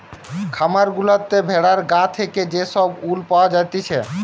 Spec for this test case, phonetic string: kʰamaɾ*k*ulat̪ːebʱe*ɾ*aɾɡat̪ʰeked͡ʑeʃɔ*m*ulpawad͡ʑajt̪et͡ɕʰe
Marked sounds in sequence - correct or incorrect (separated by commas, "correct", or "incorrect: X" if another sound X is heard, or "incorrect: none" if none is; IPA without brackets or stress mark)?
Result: incorrect: ɡ, incorrect: ɽ, incorrect: b